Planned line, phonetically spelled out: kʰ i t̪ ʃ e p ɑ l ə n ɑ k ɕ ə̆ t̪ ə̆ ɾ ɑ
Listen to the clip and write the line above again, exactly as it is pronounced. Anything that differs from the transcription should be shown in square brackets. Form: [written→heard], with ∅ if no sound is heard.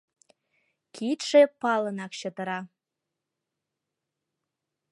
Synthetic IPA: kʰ i t̪ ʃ e p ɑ l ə n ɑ k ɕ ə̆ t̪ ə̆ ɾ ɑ